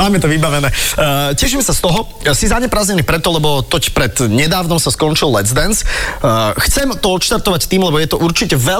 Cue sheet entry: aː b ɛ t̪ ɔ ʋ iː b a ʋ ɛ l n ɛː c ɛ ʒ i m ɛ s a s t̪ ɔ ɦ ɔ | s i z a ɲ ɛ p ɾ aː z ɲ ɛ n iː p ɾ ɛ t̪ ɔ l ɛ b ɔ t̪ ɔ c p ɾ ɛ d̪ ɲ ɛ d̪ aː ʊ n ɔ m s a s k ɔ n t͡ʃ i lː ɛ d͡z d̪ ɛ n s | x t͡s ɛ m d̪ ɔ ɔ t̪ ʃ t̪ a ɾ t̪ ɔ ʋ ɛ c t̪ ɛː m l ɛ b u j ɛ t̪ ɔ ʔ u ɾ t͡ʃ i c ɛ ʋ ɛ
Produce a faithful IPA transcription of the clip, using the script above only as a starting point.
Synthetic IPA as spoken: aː m ɛ t̪ ɔ ʋ i b a ʋ ɛ n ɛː c ɛ ʃ i m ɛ s a s t̪ ɔ ɦ ɔ | s i z a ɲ ɛ p ɾ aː z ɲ ɛ n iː p ɾ ɛ t̪ ɔ l ɛ b ɔ t̪ ɔ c p ɾ ɛ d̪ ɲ ɛ d̪ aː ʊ n ɔ m s a s k ɔ n t͡ʃ i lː ɛ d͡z d̪ ɛ n s | x t͡s ɛ m t̪ ɔ ɔ t̪ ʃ t̪ a ɾ t̪ ɔ ʋ a c t̪ iː m l ɛ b ɔ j ɛ t̪ ɔ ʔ u ɾ t͡ʃ i c ɛ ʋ ɛ